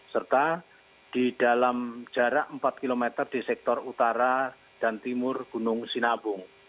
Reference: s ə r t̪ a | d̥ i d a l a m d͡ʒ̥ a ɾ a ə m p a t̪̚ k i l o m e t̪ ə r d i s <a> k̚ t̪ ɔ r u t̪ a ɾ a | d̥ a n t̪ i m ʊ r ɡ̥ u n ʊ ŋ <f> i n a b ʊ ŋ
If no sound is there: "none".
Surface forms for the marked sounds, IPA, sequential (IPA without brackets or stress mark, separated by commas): ɛ, s